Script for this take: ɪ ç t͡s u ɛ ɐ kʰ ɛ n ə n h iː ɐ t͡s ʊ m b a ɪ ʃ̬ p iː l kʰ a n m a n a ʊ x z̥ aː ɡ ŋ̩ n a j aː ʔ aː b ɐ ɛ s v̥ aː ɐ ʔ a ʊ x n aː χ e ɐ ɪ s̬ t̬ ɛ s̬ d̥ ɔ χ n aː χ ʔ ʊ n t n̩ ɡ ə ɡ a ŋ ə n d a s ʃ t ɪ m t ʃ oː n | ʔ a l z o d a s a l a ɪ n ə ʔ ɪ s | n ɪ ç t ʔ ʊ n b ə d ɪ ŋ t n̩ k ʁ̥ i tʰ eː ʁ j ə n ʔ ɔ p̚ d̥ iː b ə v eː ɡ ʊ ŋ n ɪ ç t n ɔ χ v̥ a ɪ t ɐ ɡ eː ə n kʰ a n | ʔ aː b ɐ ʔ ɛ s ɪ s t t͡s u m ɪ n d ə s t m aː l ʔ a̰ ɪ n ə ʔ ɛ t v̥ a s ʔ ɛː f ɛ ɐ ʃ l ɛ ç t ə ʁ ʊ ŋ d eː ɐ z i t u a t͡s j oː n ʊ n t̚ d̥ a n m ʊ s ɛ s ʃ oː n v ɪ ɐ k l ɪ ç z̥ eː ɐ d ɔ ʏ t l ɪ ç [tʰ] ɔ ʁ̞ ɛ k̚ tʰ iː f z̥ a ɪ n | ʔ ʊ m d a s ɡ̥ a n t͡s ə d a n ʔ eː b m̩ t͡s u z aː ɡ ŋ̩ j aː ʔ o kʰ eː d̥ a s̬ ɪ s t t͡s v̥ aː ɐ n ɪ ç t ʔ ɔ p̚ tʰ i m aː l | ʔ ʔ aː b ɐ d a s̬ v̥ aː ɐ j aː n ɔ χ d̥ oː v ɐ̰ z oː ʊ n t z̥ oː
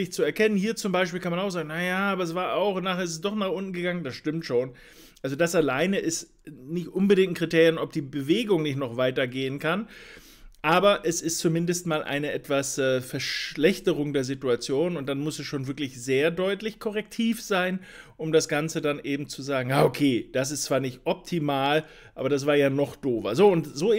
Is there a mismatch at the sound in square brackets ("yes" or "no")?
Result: yes